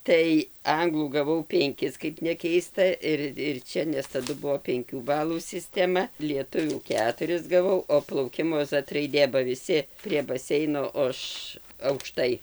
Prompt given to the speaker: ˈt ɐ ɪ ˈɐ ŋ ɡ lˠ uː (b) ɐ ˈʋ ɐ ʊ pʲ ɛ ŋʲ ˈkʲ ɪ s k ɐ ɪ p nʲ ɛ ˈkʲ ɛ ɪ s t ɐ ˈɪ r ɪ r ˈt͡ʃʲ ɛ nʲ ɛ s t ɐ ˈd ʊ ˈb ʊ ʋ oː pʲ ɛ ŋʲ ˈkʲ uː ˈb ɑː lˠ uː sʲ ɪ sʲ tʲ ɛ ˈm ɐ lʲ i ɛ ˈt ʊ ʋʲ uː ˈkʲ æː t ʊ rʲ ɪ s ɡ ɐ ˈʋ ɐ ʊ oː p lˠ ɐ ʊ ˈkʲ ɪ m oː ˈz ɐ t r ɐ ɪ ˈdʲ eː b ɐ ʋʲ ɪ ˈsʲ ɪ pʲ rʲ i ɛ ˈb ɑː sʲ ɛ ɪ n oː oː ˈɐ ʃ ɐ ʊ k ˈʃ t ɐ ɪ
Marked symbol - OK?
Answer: no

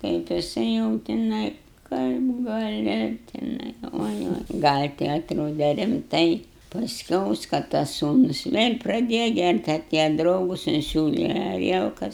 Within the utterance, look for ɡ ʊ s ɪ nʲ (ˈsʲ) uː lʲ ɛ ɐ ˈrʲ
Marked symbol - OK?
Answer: yes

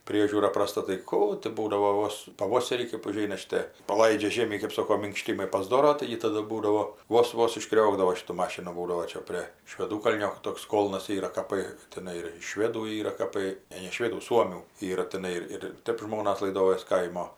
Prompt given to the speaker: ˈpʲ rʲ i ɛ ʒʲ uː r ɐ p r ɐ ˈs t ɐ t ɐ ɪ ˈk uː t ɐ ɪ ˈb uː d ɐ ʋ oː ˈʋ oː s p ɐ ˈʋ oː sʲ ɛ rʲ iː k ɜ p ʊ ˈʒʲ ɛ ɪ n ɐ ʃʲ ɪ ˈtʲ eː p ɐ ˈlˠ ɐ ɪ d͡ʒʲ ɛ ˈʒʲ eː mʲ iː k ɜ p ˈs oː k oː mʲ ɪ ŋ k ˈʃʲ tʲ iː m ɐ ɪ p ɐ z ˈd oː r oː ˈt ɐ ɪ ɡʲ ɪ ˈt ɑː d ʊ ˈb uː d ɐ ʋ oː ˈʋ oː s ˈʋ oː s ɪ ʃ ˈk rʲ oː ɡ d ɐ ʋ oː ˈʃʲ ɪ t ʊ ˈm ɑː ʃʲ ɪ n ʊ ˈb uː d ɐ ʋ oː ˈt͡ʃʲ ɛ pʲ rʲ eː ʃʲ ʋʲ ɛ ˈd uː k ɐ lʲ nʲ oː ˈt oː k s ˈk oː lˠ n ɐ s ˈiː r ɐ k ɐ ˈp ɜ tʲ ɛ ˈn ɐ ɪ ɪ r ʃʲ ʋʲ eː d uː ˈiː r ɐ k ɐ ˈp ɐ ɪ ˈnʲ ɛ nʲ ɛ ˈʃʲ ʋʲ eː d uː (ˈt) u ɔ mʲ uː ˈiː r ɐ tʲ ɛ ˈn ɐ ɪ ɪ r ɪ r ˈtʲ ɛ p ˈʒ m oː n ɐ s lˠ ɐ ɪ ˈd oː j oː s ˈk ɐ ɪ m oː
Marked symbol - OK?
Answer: no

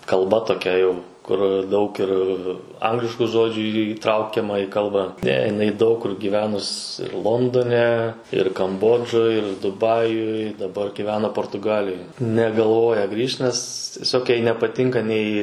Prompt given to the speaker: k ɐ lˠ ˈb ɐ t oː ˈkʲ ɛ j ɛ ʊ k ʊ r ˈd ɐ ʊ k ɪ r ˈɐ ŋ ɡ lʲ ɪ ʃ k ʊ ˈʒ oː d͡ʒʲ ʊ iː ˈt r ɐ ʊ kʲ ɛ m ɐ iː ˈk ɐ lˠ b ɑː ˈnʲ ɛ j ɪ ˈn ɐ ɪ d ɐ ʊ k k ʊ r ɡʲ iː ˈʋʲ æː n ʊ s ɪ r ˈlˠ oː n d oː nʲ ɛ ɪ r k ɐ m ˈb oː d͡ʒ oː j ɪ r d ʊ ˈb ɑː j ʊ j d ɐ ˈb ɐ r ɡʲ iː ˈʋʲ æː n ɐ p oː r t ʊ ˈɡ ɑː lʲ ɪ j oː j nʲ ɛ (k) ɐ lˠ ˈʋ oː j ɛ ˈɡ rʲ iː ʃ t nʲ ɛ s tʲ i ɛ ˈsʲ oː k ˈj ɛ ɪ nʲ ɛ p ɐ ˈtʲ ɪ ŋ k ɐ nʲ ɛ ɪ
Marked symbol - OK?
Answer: no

